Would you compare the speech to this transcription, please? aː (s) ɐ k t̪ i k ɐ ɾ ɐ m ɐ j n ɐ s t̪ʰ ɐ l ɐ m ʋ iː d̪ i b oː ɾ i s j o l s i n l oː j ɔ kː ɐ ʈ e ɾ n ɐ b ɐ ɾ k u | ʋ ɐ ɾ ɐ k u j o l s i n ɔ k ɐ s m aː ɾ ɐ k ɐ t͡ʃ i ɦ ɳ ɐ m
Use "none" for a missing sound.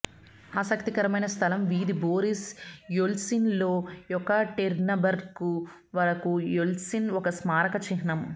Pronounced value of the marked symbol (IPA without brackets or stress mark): s